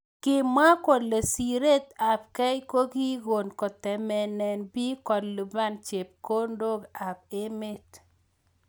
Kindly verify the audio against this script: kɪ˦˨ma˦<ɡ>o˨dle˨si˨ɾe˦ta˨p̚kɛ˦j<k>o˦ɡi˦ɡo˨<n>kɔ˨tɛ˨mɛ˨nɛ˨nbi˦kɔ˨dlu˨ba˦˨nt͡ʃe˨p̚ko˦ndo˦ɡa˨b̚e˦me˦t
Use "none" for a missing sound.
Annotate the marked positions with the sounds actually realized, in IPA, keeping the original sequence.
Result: k, k, n

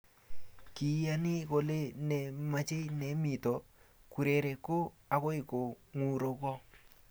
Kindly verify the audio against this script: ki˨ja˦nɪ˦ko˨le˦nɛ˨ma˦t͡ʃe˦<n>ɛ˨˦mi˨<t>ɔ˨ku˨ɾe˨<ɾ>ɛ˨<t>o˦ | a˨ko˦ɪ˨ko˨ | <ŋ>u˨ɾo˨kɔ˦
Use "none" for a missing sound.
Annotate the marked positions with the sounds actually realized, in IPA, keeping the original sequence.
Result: n, t, ɾ, k, ŋ

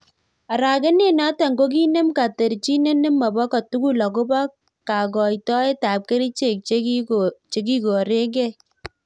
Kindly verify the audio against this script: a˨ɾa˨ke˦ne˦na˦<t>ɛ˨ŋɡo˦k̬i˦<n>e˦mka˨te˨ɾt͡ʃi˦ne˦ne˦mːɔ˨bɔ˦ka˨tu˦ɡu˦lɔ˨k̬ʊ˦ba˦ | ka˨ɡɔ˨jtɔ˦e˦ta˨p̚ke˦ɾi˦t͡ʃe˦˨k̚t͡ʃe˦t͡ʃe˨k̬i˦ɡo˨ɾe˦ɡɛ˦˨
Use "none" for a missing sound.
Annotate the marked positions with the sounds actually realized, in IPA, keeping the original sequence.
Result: t, n

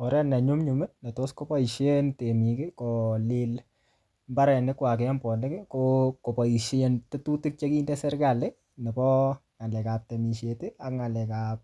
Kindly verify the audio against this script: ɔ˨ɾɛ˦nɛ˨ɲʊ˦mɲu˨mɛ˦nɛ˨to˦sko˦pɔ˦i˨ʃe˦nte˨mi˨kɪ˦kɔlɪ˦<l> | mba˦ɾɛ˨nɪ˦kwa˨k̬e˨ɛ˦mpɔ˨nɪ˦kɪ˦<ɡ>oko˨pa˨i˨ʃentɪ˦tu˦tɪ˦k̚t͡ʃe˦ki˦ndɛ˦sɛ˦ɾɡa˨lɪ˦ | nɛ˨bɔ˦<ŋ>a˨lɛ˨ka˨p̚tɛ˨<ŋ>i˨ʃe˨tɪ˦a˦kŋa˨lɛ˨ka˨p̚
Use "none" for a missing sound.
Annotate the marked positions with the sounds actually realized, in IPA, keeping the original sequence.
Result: l, k, ŋ, m

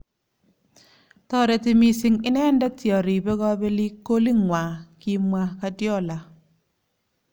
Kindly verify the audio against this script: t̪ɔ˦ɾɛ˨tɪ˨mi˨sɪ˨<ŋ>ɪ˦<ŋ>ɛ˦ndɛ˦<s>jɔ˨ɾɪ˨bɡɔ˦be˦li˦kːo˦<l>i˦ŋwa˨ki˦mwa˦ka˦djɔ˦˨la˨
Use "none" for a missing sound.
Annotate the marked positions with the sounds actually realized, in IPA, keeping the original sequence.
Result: ŋ, n, t, l

